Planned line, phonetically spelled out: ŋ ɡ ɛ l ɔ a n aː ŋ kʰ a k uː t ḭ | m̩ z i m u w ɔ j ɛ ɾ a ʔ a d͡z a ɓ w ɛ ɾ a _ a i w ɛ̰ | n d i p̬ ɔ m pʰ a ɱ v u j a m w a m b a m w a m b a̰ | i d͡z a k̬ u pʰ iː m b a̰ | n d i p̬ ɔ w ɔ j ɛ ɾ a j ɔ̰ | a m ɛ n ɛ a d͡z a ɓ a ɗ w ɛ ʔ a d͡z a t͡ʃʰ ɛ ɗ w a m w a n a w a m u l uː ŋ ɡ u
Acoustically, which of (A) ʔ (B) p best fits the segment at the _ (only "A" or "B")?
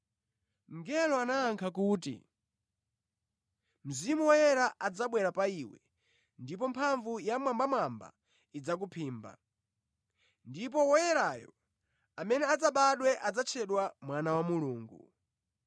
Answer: B